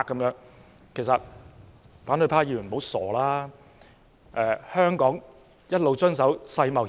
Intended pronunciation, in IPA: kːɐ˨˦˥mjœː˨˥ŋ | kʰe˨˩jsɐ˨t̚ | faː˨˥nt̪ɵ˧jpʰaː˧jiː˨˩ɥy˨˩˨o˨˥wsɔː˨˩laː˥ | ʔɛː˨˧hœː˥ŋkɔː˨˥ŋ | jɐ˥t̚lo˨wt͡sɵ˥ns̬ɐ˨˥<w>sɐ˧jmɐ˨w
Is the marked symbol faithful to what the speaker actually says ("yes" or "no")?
yes